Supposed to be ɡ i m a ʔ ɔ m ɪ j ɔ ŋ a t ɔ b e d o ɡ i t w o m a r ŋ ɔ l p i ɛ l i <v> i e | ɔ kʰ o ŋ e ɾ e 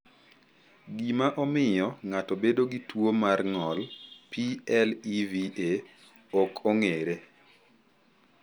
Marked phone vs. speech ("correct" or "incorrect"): correct